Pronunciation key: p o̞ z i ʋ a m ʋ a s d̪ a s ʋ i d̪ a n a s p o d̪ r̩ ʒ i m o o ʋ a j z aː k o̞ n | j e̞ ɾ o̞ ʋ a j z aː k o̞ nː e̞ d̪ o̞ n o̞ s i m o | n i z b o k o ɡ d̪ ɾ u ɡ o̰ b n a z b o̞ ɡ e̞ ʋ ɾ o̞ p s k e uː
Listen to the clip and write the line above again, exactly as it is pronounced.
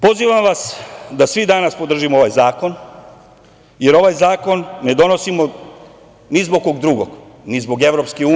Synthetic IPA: p o̞ z i ʋ a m ʋ a s d̪ a s ʋ i d̪ a n a s p o d̪ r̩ ʒ i m o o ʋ a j z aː k o̞ n | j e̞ ɾ o̞ ʋ a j z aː k o̞ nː e̞ d̪ o̞ n o̞ s i m o | n i z b o k o ɡ d̪ ɾ u ɡ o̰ ɡ n i z b o̞ ɡ e̞ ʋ ɾ o̞ p s k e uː